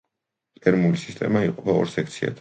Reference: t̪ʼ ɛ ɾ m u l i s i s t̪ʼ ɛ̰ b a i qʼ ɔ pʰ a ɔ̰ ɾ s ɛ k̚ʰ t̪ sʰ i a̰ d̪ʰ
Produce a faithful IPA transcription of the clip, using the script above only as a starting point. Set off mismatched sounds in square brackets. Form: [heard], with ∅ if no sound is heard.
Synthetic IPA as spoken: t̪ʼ ɛ ɾ m u l i s i s t̪ʼ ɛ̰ [m] a i qʼ ɔ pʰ a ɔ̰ ɾ s ɛ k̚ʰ t̪ sʰ i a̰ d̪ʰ